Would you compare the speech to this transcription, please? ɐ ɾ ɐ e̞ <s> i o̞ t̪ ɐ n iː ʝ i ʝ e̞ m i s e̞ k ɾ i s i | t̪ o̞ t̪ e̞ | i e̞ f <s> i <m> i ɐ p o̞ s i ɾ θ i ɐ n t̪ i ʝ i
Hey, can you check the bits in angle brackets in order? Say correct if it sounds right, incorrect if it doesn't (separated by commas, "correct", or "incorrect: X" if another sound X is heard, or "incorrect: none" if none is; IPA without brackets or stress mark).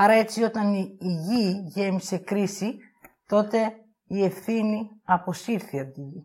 incorrect: t͡s, incorrect: θ, incorrect: n